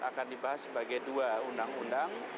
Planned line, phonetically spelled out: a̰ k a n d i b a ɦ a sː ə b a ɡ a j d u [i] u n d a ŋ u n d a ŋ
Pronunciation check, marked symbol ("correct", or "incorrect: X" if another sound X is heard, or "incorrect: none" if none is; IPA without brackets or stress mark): incorrect: a